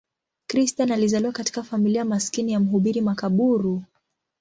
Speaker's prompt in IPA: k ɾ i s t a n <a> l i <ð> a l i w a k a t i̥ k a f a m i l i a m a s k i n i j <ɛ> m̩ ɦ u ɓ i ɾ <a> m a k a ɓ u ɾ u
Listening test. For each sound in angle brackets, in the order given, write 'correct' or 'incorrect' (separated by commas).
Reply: correct, incorrect, incorrect, incorrect